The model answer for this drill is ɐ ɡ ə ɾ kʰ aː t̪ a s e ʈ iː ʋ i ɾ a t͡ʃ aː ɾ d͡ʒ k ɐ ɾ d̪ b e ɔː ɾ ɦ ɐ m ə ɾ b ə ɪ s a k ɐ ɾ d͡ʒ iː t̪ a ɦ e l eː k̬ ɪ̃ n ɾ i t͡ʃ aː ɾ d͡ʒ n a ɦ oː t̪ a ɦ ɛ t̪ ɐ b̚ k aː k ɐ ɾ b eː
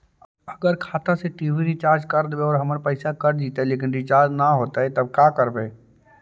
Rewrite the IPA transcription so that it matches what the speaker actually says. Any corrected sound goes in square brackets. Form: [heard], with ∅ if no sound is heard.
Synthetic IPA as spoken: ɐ ɡ ə ɾ kʰ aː t̪ a s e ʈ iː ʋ i ɾ [i] t͡ʃ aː ɾ d͡ʒ k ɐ ɾ d̪ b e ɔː ɾ ɦ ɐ m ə ɾ [p] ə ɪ s a k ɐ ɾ d͡ʒ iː t̪ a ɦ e l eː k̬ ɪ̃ n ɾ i t͡ʃ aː ɾ d͡ʒ n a ɦ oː t̪ a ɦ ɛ t̪ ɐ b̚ k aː k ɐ ɾ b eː